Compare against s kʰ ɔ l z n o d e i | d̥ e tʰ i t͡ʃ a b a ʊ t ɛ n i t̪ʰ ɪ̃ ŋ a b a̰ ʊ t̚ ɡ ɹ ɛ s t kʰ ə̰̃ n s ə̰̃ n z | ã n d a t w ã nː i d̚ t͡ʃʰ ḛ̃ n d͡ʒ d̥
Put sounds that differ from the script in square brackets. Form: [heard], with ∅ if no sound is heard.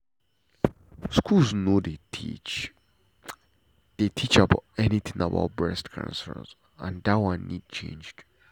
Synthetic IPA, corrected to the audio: s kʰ [u] l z n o d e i | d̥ e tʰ i t͡ʃ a b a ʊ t ɛ n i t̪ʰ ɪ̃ ŋ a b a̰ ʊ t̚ [b] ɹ ɛ s t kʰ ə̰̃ n s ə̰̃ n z | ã n d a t w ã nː i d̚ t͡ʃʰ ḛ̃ n d͡ʒ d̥